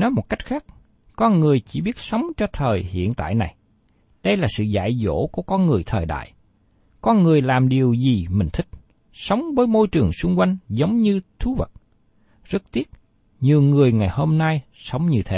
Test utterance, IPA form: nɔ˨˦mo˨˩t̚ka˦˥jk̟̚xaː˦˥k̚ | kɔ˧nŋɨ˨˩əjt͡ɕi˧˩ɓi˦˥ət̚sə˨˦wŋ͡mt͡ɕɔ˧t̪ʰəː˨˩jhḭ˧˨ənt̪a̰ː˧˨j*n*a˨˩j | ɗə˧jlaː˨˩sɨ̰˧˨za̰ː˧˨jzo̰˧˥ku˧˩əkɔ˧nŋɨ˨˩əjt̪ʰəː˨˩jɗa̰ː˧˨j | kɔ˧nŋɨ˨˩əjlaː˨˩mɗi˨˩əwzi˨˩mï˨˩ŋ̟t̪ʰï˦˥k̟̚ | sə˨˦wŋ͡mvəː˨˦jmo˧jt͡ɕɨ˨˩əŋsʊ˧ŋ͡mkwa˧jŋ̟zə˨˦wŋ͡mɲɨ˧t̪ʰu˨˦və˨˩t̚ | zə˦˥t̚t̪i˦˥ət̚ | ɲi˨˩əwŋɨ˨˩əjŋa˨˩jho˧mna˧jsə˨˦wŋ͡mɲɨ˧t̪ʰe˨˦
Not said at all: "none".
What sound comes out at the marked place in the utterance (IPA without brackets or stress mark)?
n